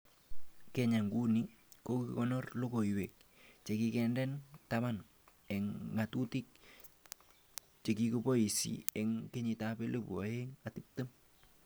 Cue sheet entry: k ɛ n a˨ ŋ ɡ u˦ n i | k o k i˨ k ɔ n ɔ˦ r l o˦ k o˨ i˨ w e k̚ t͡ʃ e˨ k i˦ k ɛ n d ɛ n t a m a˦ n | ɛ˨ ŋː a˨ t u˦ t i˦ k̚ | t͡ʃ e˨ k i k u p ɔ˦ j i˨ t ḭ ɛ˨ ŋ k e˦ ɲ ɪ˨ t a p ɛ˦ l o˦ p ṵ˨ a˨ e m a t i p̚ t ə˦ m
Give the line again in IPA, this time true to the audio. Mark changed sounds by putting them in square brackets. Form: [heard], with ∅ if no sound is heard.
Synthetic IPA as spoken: k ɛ [ɲ] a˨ ŋ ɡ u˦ n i | k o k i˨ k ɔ n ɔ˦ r l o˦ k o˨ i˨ w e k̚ t͡ʃ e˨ k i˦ k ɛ n d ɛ n t a m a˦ n | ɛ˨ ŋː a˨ t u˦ t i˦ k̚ | t͡ʃ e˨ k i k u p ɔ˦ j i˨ [s] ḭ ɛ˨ ŋ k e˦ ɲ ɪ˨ t a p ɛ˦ l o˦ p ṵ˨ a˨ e [ŋ] a t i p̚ t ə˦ m